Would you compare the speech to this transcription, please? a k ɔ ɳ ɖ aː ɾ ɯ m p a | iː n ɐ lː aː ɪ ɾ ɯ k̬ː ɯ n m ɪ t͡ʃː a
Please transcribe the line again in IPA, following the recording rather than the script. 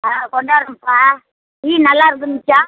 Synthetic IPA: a k ɔ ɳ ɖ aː ɾ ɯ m p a | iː n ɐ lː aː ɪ ɾ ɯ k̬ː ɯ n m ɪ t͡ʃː a